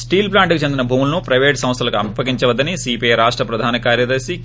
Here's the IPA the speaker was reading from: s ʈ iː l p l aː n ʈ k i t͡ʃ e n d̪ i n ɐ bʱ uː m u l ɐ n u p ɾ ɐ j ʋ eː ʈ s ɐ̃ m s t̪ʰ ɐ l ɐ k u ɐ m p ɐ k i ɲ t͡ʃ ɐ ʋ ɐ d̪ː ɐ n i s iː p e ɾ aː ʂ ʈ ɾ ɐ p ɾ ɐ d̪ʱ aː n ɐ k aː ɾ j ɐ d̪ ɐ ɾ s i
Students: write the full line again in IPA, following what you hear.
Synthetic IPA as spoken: s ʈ iː l p l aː ɳ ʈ k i t͡ʃ e n d̪ i n ɐ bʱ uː m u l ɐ n u p ɾ ɐ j ʋ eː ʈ s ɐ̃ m s t̪ʰ ɐ l ɐ k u ɐ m p ɐ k i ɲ t͡ʃ ɐ ʋ ɐ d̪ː ɐ n i s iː p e ɾ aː ʂ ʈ ɾ ɐ p ɾ ɐ d̪ʱ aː n ɐ k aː ɾ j ɐ d̪ ɐ ɾ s i